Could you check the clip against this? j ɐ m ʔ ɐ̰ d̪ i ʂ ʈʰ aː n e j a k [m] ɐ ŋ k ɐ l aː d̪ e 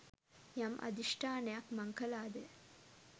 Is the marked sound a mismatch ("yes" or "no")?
no